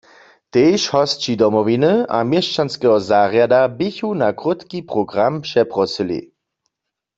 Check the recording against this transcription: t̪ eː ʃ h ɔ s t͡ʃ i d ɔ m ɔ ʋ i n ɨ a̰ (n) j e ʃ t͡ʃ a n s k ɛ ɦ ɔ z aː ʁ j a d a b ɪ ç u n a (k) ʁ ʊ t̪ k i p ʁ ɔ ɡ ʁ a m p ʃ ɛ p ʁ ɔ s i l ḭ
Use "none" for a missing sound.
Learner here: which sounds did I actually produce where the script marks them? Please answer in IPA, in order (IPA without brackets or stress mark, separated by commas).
m, k